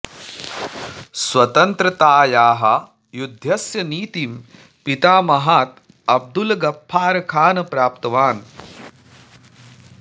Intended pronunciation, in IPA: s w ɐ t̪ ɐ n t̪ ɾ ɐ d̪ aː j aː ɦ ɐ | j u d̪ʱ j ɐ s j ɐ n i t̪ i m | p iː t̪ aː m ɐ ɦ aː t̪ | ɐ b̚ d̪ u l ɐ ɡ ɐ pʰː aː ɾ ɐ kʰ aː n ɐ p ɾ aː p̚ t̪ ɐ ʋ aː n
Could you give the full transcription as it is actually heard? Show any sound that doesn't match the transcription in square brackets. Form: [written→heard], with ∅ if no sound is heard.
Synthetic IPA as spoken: s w ɐ t̪ ɐ n t̪ ɾ ɐ [d̪→t̪] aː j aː ɦ ɐ | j u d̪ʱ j ɐ s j ɐ n [i→iː] t̪ i m | p [iː→i] t̪ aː m ɐ ɦ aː t̪ | ɐ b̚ d̪ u l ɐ ɡ ɐ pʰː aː ɾ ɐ kʰ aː n ɐ p ɾ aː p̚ t̪ ɐ ʋ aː n